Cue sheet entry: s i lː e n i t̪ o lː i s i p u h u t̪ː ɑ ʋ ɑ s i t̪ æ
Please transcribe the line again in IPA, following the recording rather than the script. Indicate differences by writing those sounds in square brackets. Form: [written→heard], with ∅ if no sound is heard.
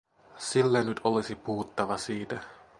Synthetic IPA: s i lː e n [i→y] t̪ o [lː→l] i s i p u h u t̪ː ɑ ʋ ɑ s [i→iː] t̪ æ